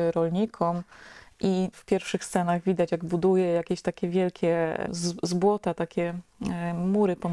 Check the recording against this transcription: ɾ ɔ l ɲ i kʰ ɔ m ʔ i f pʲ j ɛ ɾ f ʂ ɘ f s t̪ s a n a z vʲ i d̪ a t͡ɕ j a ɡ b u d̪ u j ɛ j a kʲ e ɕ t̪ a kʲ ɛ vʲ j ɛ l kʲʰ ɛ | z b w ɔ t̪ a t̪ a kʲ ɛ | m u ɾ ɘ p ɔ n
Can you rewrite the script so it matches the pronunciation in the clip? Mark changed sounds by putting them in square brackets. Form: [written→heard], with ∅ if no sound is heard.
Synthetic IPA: ɾ ɔ l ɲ i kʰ ɔ m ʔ i f pʲ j ɛ ɾ f ʂ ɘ [f→x] s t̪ s [a→ɛ] n a [z→ɣ] vʲ i d̪ a t͡ɕ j a ɡ b u d̪ u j ɛ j a kʲ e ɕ t̪ a kʲ ɛ vʲ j ɛ l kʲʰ ɛ | z b w ɔ t̪ a t̪ a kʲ ɛ | m u ɾ ɘ p ɔ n